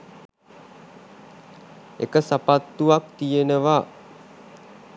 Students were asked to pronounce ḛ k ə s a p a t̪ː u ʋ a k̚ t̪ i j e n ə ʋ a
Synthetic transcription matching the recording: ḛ k ə s a p a t̪ː u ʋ a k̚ t̪ i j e n ə ʋ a